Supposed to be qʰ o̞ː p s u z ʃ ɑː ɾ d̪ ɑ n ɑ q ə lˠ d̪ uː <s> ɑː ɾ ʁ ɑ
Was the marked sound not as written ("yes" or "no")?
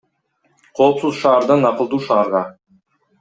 yes